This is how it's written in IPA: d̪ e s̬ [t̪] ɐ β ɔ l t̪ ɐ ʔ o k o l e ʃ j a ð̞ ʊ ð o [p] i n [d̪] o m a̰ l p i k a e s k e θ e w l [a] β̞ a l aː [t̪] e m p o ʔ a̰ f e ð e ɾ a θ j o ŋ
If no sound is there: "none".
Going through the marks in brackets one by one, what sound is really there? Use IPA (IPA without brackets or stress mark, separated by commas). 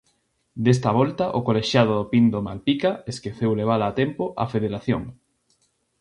t̪, p, d̪, e, t̪